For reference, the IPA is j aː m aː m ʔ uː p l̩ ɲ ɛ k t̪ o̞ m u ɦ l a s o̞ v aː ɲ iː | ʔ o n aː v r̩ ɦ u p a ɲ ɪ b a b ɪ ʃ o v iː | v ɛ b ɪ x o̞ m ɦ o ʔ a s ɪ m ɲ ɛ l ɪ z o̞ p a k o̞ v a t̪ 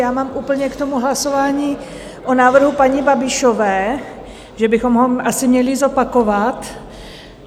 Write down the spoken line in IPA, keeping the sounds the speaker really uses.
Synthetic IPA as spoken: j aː m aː m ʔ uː p l̩ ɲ ɛ k t̪ o̞ m u ɦ l a s o̞ v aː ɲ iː | ʔ o n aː v r̩ ɦ u p a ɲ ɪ b a b ɪ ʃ o v ɛː | ʒ ɛ b ɪ x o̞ m ɦ o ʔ a s ɪ m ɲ ɛ l ɪ z o̞ p a k o̞ v a t̪